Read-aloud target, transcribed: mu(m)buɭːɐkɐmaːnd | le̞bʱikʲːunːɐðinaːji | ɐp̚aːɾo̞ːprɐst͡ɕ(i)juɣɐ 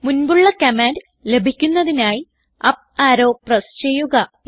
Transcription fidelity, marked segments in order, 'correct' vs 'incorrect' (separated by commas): incorrect, incorrect